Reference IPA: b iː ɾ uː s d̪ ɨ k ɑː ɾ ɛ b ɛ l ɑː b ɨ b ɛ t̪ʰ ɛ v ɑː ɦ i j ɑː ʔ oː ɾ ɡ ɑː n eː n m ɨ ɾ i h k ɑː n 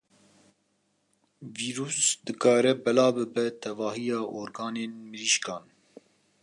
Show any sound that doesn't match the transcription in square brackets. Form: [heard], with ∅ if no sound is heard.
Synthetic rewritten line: [v] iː ɾ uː s d̪ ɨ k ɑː ɾ ɛ b ɛ l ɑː b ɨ b ɛ t̪ʰ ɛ v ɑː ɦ i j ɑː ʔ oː ɾ ɡ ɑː n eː n m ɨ ɾ i [ʃ] k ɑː n